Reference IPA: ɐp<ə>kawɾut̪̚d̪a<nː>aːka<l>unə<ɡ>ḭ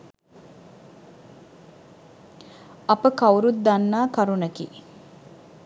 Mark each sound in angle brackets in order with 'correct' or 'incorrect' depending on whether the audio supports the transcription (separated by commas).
correct, correct, incorrect, incorrect